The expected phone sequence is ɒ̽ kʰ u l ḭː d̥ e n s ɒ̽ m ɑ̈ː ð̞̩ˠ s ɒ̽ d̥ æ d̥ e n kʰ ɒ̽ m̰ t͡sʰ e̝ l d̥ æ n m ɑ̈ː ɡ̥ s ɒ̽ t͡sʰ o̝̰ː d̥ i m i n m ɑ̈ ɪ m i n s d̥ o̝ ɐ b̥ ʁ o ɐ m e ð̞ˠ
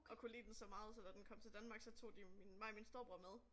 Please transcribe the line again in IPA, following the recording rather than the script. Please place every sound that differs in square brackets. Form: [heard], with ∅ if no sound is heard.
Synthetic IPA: ɒ̽ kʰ u l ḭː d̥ e n s ɒ̽ m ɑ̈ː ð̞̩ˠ s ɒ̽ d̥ æ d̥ e n kʰ ɒ̽ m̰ t͡sʰ e̝ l d̥ æ n m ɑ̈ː ɡ̥ s ɒ̽ t͡sʰ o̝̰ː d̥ i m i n m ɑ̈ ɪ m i n s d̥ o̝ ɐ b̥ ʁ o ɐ m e ð̞ˠ